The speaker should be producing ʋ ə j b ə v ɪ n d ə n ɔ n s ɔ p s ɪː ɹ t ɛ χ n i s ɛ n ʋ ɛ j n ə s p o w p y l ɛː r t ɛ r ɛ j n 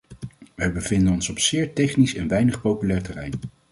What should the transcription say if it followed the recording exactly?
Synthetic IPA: ʋ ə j b ə v ɪ n d ə n ɔ n s ɔ p s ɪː ɹ t ɛ χ n i s ɛ n ʋ ɛ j n ə χ p o w p y l ɛː ɹ t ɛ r ɛ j n

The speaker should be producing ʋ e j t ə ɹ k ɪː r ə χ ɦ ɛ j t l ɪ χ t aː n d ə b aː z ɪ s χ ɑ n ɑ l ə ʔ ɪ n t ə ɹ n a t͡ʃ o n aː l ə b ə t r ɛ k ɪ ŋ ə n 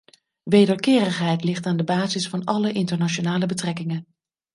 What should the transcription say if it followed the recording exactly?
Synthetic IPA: ʋ e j d ə ɹ k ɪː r ə χ ɦ ɛ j t l ɪ χ t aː n d ə b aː z ɪ s f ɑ n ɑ l ə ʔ ɪ n t ə ɹ n a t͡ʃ o n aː l ə b ə t r ɛ k ɪ ŋ ə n

